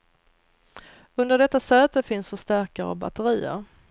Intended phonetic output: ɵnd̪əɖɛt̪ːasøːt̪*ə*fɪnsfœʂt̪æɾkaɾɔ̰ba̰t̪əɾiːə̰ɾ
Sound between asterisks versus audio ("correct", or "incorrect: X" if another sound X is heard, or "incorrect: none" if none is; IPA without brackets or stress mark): correct